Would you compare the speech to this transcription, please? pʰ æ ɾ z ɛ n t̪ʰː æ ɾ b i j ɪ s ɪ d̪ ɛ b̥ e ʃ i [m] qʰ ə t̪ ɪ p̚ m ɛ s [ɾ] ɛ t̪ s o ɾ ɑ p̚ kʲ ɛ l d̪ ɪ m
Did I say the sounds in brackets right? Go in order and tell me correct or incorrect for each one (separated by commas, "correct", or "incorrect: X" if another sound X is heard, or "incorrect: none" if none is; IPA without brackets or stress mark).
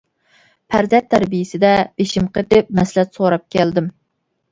correct, incorrect: l